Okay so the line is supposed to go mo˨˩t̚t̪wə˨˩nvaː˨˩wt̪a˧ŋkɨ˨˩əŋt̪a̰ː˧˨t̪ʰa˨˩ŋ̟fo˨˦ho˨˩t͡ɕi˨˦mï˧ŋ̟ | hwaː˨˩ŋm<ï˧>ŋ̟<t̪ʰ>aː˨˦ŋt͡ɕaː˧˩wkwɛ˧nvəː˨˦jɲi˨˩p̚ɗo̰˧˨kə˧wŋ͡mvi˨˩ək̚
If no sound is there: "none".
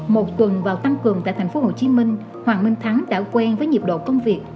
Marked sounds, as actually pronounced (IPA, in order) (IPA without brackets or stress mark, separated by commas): ï˧, t̪ʰ